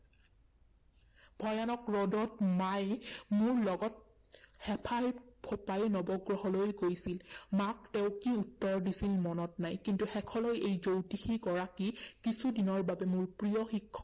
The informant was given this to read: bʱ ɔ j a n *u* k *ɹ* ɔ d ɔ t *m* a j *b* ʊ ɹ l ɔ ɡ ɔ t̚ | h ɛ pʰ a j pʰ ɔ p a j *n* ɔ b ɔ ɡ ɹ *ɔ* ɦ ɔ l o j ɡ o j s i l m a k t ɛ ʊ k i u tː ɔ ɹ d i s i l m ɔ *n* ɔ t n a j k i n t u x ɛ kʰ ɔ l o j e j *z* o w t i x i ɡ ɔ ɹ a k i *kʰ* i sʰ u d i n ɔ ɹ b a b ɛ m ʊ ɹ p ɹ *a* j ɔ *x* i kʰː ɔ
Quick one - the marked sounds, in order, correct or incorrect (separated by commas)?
incorrect, correct, correct, incorrect, correct, correct, correct, correct, incorrect, incorrect, correct